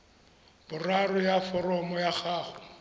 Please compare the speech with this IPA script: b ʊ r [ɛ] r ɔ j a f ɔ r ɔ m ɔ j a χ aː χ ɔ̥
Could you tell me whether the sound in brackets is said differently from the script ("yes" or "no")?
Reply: yes